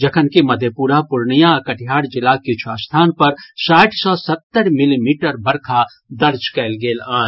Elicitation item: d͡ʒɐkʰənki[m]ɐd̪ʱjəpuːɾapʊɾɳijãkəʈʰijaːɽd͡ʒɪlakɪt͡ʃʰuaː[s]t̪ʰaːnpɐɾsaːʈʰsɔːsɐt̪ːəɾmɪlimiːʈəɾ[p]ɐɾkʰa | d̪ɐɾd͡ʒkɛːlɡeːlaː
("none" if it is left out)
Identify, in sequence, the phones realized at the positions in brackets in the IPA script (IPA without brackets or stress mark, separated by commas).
m, s, b